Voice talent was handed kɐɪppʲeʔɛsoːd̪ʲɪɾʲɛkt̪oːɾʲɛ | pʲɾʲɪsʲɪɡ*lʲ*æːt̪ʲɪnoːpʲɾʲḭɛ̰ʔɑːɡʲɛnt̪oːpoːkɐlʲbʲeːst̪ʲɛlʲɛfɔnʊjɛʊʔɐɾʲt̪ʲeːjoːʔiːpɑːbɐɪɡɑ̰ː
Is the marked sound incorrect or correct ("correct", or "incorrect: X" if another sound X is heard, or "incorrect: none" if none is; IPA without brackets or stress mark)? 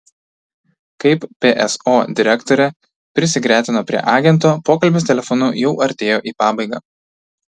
incorrect: ɾʲ